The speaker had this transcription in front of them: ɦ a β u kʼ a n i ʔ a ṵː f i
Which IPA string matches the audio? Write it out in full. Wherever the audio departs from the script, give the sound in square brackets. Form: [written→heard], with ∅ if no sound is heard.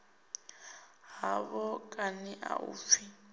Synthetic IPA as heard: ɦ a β [u→ɔ] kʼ a n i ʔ a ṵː f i